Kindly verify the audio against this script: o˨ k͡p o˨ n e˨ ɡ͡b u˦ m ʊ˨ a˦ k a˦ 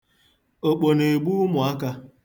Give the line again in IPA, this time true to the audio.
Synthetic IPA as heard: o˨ k͡p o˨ n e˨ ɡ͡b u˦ m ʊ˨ a˦ k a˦